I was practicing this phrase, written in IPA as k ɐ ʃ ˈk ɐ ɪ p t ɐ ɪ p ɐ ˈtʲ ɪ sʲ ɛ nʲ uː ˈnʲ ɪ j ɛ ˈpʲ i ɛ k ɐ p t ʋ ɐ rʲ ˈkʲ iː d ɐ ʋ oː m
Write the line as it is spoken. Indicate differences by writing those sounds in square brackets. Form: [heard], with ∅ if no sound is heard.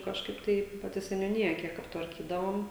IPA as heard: k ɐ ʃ ˈk ɐ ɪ p t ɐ ɪ p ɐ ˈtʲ ɪ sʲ ɛ nʲ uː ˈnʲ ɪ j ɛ [ˈkʲ] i ɛ k ɐ p t ʋ ɐ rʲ ˈkʲ iː d ɐ ʋ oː m

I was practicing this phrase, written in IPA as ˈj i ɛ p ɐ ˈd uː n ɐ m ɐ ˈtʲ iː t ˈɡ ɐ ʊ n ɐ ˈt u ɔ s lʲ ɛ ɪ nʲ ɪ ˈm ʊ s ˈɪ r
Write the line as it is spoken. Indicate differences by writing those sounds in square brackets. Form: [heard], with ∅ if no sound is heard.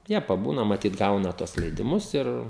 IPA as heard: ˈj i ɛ p ɐ [ˈb] uː n ɐ m ɐ ˈtʲ iː t ˈɡ ɐ ʊ n ɐ ˈt u ɔ s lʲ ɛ ɪ [dʲ] ɪ ˈm ʊ s ˈɪ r

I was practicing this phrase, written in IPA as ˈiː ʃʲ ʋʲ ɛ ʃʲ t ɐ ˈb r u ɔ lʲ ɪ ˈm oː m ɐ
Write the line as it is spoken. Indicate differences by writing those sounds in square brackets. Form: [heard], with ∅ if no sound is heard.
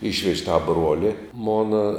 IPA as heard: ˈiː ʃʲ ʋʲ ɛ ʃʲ t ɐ ˈb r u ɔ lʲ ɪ ˈm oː [n] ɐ

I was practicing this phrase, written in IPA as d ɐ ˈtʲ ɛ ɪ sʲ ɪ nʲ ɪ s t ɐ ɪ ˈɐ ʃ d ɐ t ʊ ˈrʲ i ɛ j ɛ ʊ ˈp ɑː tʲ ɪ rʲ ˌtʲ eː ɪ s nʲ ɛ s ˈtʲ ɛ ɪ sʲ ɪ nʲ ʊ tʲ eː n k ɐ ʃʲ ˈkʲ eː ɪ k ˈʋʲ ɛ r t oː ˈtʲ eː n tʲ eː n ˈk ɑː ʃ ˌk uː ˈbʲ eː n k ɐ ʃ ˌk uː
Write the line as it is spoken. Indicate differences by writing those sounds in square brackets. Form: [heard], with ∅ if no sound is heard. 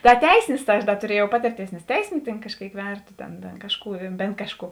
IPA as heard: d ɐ ˈtʲ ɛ ɪ sʲ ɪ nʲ ɪ s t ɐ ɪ ˈɐ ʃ d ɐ t ʊ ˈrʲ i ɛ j ɛ ʊ ˈp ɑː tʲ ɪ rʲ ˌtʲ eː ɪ s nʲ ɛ s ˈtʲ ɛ ɪ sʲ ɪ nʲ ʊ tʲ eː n k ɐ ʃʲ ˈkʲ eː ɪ k ˈʋʲ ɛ r t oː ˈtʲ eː n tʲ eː n ˈk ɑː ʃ ˌk uː ˈbʲ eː n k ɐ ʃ ˌk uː

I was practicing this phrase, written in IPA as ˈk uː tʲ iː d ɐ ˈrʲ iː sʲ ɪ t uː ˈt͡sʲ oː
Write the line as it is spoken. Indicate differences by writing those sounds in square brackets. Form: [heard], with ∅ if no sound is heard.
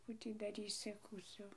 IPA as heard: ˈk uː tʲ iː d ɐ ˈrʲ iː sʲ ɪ [k] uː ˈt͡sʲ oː

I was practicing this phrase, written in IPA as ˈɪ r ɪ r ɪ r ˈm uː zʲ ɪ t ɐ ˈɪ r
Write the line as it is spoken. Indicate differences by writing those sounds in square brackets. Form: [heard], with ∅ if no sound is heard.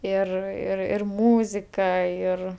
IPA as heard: ˈɪ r ɪ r ɪ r ˈm uː zʲ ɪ [k] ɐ ˈɪ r

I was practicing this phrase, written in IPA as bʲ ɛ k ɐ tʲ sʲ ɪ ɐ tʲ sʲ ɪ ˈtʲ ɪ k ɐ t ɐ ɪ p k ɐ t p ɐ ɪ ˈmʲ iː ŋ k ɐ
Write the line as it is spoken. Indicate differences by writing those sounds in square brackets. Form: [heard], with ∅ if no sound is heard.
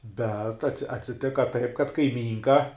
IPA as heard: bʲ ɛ [t] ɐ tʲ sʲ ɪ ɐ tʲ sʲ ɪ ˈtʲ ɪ k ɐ t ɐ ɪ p k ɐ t [k] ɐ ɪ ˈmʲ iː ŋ k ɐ

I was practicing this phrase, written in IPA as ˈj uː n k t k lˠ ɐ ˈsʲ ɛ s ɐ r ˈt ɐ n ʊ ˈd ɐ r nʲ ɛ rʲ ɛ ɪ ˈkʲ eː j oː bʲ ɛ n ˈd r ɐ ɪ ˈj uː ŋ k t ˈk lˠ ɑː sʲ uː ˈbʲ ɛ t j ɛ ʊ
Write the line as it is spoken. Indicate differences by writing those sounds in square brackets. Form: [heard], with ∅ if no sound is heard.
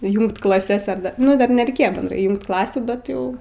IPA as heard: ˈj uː [ŋ] k t k lˠ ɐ ˈsʲ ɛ s ɐ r [ˈd] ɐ n ʊ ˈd ɐ r nʲ ɛ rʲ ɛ ɪ ˈkʲ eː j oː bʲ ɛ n ˈd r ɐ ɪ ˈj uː ŋ k t ˈk lˠ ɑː sʲ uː ˈbʲ ɛ t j ɛ ʊ

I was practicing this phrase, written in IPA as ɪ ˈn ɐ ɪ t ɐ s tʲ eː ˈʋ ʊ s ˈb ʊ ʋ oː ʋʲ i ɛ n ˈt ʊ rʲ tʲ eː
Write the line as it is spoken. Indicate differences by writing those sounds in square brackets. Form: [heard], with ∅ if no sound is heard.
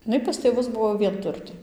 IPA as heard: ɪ ˈn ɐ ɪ [p] ɐ s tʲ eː ˈʋ ʊ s ˈb ʊ ʋ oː ʋʲ i ɛ n ˈt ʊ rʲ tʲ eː

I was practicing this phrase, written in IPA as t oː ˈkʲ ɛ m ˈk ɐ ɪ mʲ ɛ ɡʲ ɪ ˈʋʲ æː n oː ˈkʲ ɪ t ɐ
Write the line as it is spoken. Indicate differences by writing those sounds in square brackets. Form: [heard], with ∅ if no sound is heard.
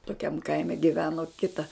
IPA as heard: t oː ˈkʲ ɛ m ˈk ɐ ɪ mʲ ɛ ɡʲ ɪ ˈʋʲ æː n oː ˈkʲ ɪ t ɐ

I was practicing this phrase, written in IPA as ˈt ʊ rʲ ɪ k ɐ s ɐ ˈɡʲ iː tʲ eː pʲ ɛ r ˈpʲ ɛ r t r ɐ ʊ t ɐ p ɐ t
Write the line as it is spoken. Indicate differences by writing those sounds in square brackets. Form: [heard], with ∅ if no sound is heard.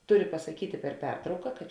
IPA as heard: ˈt ʊ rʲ ɪ [p] ɐ s ɐ [ˈkʲ] iː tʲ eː pʲ ɛ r ˈpʲ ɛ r t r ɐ ʊ [k] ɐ [k] ɐ t

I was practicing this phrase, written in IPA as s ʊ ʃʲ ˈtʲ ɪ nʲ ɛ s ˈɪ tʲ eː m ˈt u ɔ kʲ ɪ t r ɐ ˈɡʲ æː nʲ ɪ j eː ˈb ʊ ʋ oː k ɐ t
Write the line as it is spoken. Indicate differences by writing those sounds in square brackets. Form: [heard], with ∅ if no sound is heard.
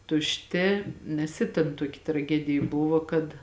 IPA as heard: [t] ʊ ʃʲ ˈtʲ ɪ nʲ ɛ s ˈɪ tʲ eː [n] ˈt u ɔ kʲ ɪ t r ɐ ˈɡʲ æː [dʲ] ɪ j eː ˈb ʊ ʋ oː k ɐ t

